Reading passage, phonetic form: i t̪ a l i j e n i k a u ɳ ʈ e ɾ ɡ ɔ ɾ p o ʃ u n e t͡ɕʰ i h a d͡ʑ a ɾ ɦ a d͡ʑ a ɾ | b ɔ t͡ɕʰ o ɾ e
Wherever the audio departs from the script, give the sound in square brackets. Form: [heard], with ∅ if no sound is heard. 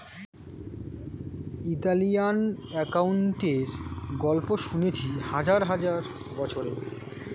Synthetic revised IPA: i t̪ a l i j [a] n [ɛ] k a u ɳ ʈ e ɾ ɡ ɔ [l] p o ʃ u n e t͡ɕʰ i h a d͡ʑ a ɾ ɦ a d͡ʑ a ɾ | b ɔ t͡ɕʰ o ɾ e